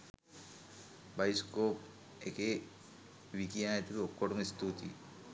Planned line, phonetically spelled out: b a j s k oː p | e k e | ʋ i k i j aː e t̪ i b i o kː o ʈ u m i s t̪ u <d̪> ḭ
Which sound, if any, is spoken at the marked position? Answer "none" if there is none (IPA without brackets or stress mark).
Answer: t̪